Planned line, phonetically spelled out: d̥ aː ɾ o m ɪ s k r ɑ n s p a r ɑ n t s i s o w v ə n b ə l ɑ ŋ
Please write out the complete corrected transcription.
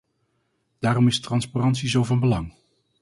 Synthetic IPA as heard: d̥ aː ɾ ɔ m ɪ s t r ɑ n s p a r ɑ n t s i z o w v ɑ n b ə l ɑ ŋ